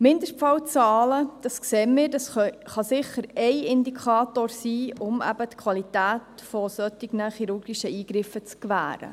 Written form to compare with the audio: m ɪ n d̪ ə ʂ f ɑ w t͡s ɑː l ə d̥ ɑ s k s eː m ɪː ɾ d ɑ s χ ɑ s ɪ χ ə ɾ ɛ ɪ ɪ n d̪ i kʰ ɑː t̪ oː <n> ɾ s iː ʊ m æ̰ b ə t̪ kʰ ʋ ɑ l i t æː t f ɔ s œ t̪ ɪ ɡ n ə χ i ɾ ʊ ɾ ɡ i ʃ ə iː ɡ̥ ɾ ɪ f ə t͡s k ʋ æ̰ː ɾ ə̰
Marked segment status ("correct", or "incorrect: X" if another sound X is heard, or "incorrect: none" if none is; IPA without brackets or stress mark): incorrect: none